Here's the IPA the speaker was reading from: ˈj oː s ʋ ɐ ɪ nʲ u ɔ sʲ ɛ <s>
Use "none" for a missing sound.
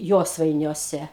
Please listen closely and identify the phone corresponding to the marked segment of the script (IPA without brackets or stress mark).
none